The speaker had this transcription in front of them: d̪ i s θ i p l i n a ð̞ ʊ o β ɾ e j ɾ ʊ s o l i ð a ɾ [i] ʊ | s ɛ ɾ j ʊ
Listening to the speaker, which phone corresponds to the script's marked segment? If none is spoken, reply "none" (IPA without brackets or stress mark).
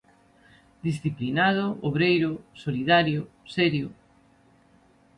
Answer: j